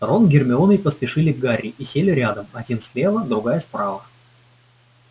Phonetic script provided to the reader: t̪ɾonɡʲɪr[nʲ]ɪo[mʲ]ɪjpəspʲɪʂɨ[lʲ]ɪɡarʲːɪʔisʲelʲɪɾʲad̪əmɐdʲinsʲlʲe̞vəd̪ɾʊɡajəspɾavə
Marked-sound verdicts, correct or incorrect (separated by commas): incorrect, correct, correct